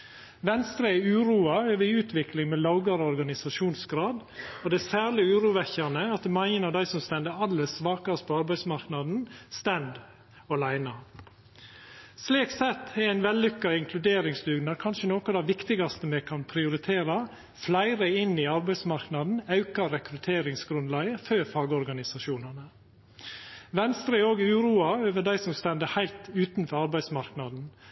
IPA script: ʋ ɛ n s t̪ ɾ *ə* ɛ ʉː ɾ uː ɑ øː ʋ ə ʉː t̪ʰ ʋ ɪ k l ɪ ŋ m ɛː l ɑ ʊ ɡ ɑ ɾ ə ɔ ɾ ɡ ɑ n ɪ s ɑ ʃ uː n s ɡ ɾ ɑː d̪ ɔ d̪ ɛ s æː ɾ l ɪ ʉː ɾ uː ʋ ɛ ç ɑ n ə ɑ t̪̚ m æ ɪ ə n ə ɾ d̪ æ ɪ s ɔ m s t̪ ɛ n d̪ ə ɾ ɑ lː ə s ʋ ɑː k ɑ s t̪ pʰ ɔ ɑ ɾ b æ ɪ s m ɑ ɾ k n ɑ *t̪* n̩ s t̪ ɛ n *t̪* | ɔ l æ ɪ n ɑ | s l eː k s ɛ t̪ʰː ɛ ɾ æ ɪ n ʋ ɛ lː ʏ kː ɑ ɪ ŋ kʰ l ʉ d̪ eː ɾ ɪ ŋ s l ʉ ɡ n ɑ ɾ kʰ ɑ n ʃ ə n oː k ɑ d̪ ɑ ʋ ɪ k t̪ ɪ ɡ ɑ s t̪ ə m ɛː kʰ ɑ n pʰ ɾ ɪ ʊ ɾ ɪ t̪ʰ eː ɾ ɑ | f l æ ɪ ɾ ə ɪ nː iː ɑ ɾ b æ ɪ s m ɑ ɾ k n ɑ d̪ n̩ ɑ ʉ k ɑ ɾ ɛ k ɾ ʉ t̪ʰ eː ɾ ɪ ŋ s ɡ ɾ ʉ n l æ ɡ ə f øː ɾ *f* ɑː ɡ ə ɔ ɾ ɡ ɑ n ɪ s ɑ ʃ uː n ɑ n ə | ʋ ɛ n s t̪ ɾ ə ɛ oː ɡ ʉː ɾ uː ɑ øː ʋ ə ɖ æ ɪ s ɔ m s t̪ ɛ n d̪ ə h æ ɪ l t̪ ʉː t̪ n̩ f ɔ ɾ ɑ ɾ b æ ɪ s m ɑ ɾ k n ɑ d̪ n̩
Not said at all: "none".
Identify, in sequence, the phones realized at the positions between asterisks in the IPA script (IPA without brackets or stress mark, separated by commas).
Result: ə, d̪, d̪, f